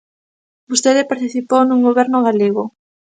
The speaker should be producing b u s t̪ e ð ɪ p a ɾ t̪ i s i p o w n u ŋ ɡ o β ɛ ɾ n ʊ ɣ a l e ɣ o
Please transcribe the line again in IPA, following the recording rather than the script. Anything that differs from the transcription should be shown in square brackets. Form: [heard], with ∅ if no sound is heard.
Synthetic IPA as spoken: b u s t̪ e ð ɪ p a ɾ t̪ i [θ] i p o w n u ŋ ɡ o β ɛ ɾ n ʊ ɣ a l e ɣ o